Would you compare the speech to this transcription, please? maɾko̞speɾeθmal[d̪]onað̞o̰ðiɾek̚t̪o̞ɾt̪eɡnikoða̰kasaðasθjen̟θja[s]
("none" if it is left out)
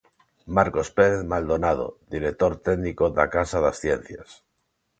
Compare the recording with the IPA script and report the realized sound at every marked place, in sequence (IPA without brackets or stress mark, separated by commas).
d̪, s